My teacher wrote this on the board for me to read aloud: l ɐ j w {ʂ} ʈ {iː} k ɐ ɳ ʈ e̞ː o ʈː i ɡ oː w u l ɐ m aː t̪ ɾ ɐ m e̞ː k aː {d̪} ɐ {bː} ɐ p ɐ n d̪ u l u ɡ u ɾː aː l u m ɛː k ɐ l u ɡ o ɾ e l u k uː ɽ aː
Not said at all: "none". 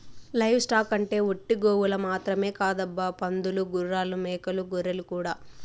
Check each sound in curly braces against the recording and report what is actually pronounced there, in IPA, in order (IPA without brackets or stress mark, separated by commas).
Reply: s, aː, d̪, bː